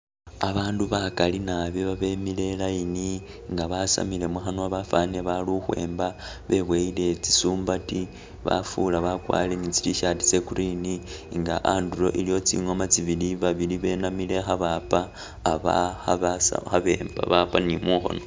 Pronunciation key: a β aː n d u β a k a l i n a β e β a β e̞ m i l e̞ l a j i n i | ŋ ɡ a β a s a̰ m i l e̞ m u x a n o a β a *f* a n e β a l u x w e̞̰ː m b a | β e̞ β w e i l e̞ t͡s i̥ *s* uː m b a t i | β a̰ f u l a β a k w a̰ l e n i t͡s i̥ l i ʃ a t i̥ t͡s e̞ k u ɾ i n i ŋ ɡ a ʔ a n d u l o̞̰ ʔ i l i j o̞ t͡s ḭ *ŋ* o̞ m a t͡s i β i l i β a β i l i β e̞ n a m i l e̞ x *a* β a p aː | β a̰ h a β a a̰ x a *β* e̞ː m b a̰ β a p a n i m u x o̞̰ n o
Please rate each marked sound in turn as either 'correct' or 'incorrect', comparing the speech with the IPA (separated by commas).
correct, correct, correct, correct, correct